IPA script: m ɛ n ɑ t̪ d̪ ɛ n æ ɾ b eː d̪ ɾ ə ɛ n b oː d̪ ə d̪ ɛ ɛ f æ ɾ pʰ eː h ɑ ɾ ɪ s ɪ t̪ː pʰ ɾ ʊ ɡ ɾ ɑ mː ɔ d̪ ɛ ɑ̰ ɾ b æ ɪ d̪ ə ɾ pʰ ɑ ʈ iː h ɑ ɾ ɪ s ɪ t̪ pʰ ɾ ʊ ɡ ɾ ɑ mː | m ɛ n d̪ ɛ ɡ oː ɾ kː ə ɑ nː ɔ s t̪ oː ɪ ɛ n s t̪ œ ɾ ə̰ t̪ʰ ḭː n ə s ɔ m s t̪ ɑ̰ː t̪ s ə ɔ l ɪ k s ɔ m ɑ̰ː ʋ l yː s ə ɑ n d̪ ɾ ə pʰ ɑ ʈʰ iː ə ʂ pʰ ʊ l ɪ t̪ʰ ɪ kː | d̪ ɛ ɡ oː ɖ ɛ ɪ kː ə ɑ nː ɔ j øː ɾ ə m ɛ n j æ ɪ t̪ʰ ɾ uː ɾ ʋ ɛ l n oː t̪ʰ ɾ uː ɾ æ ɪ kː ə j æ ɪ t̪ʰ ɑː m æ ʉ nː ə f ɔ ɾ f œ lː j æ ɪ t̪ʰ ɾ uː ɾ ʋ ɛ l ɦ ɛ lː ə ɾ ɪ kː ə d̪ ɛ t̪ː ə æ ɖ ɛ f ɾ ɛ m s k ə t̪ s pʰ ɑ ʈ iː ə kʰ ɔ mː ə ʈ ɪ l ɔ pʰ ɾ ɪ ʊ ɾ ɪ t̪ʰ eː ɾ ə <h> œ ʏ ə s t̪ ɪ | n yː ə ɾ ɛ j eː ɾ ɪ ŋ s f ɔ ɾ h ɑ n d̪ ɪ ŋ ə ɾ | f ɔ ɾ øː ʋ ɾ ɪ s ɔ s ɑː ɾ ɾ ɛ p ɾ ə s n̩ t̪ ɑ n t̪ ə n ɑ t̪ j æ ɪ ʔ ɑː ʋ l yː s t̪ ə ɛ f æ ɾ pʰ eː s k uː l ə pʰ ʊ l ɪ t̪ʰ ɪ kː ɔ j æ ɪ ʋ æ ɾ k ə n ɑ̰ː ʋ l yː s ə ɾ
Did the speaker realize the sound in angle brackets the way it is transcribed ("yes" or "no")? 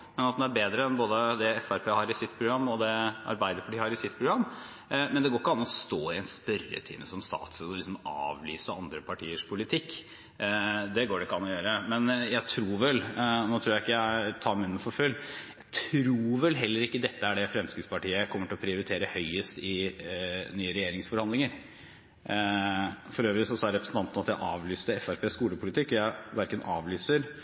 yes